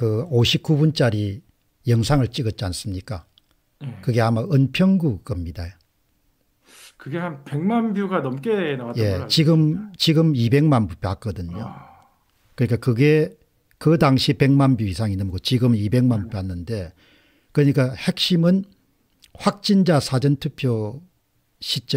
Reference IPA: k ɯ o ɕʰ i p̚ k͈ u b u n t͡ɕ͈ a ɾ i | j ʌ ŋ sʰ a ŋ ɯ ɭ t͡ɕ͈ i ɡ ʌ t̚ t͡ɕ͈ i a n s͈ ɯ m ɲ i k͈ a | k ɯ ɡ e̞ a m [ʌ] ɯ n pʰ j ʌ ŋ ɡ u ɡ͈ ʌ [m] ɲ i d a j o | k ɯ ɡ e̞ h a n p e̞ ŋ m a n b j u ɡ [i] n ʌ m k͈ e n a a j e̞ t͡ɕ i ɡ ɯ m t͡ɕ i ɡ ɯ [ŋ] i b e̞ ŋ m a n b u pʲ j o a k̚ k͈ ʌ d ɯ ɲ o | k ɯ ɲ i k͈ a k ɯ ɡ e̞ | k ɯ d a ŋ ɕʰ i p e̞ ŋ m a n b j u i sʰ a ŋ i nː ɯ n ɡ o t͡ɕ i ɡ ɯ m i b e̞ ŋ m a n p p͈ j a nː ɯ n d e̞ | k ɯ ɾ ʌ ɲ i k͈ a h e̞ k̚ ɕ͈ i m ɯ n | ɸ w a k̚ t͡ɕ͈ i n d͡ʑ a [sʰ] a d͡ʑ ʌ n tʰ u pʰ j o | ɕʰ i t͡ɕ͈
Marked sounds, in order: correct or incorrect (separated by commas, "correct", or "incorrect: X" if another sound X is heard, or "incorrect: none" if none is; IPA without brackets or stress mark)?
incorrect: a, correct, incorrect: a, incorrect: m, correct